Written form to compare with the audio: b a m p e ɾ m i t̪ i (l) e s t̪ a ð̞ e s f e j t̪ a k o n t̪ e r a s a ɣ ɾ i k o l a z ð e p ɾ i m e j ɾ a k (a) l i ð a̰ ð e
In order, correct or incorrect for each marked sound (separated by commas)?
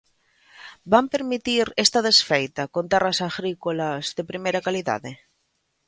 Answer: incorrect, correct